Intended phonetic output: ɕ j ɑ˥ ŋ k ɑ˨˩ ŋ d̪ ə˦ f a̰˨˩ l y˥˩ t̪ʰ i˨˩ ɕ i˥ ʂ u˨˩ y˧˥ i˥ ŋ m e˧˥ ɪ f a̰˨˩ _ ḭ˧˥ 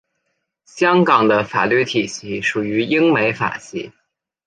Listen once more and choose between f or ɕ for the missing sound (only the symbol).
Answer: ɕ